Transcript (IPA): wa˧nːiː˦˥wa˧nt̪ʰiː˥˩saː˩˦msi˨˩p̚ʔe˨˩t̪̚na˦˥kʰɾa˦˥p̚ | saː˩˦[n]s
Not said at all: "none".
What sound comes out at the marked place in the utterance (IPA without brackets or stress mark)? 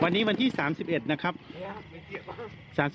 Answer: m